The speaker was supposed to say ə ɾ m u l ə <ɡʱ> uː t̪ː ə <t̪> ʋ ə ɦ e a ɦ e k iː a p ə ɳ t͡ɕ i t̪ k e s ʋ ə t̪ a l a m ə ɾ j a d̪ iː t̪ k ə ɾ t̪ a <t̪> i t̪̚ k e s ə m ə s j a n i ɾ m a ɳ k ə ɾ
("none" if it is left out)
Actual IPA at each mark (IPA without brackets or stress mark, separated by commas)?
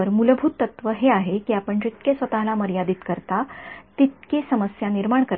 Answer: bʱ, t̪, t̪